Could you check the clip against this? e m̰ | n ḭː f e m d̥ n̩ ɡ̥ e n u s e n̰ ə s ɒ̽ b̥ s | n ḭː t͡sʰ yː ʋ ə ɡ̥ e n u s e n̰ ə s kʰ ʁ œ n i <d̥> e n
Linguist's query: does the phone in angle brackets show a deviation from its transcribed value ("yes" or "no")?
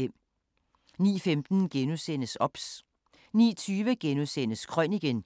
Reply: yes